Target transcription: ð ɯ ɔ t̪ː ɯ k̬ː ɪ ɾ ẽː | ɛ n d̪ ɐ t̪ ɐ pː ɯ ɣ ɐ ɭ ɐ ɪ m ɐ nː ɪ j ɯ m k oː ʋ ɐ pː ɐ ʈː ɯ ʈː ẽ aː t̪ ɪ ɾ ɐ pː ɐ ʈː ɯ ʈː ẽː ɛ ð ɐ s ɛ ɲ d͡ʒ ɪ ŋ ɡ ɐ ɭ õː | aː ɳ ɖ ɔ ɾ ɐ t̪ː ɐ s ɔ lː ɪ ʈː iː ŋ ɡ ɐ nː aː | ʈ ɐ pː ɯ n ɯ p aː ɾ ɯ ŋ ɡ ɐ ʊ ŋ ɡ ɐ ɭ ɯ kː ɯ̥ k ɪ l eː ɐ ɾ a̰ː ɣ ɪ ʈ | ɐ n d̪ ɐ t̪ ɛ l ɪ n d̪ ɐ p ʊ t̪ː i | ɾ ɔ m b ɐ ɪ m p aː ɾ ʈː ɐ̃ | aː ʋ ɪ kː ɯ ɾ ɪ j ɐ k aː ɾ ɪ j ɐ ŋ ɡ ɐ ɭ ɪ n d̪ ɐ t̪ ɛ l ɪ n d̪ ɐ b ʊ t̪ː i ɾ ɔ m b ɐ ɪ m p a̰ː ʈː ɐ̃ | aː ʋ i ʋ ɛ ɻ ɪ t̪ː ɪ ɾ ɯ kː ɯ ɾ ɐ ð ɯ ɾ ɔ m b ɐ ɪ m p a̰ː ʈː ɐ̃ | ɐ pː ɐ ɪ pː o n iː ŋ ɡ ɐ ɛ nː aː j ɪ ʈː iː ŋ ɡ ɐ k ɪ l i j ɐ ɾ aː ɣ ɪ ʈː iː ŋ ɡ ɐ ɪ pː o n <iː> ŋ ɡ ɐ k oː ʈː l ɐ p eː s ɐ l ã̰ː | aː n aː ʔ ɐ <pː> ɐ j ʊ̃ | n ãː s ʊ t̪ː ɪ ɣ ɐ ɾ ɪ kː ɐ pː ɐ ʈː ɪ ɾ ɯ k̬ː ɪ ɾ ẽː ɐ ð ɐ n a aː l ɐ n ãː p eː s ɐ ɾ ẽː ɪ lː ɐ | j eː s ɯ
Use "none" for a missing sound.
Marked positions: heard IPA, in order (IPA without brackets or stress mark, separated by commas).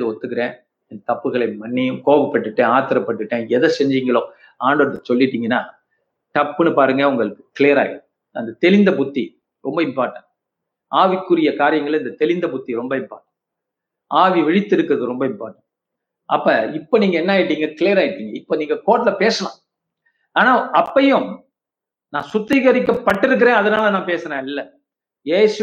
iː, pː